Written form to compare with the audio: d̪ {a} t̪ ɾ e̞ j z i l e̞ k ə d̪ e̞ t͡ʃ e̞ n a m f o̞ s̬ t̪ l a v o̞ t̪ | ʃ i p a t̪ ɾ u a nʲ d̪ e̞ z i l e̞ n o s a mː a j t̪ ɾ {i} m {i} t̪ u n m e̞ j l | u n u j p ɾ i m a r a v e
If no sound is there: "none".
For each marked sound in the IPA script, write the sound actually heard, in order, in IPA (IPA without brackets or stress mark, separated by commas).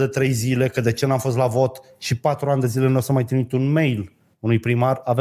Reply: e, i, i